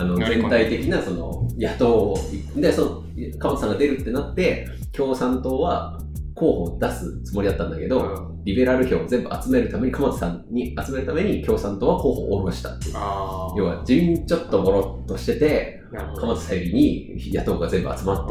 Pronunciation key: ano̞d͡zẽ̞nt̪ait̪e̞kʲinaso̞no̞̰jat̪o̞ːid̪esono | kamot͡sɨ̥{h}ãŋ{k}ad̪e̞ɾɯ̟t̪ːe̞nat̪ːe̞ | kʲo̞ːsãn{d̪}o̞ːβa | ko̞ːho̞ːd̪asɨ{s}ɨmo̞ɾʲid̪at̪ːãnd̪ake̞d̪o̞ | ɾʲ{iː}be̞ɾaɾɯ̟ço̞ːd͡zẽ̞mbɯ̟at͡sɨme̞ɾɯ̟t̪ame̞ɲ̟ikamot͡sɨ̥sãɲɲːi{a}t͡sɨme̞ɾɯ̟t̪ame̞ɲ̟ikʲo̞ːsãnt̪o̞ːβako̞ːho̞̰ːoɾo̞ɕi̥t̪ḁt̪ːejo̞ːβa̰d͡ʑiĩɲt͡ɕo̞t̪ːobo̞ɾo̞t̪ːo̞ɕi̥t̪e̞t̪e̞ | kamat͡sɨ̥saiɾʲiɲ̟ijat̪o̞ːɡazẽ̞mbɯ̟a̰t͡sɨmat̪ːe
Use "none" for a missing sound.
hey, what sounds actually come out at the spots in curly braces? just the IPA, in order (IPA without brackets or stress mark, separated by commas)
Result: s, ɡ, t̪, t͡s, i, a